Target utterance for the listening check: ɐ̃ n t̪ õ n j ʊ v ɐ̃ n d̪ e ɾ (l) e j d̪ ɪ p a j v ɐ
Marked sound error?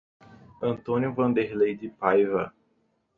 no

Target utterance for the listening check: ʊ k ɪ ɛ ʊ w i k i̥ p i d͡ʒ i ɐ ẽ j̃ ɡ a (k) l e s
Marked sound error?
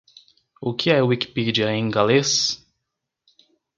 yes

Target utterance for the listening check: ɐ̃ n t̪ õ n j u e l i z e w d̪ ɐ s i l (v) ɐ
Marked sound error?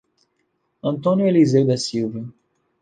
no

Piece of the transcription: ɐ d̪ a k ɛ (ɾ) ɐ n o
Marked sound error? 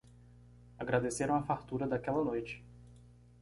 yes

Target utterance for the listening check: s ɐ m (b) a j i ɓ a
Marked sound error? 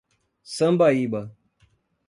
no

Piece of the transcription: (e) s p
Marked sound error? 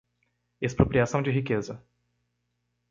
no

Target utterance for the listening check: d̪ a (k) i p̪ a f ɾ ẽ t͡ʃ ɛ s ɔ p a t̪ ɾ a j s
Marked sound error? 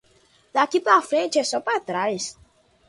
no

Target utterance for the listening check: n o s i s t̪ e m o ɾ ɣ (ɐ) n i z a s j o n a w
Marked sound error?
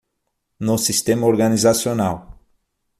yes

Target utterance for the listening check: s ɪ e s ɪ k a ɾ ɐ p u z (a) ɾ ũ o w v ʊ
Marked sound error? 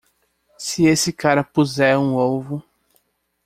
yes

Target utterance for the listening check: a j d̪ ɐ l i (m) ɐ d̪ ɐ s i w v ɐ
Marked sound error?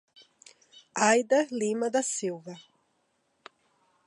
no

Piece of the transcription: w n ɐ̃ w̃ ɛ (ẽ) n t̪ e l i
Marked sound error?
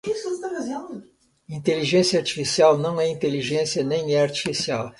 yes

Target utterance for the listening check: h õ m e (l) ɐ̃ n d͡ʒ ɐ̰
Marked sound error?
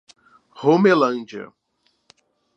no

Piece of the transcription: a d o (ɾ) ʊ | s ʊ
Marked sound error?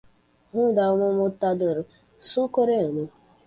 no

